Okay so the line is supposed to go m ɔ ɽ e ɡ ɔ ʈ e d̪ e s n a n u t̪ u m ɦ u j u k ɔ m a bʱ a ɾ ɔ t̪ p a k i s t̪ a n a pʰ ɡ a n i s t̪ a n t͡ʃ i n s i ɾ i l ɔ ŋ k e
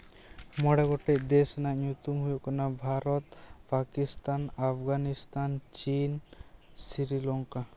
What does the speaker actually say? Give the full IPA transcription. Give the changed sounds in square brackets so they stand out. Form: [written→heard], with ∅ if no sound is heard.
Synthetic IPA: m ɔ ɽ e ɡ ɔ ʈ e d̪ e s n a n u t̪ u m ɦ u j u k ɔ [m→n] a bʱ a ɾ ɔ t̪ p a k i s t̪ a n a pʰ ɡ a n i s t̪ a n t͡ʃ i n s i ɾ i l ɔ ŋ k [e→a]